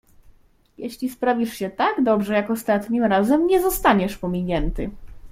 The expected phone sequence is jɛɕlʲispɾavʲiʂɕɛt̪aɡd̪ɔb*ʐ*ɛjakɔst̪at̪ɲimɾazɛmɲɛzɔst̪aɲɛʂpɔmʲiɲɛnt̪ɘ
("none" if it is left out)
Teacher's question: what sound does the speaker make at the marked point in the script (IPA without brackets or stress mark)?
ʐ